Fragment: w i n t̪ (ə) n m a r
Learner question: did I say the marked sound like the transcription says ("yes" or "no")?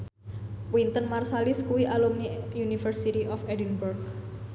yes